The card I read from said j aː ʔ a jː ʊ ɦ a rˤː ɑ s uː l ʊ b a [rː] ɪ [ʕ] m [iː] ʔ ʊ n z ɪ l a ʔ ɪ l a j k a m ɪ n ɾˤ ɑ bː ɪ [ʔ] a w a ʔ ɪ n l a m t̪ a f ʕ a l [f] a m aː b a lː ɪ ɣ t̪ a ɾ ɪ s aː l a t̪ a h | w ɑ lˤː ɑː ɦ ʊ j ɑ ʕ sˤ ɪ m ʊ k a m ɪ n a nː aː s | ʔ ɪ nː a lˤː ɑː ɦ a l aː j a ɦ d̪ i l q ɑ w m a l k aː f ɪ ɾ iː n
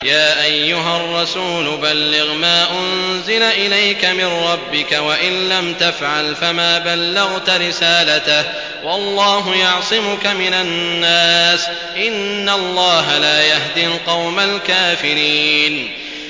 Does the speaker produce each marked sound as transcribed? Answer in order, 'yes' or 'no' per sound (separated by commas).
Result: no, no, no, no, yes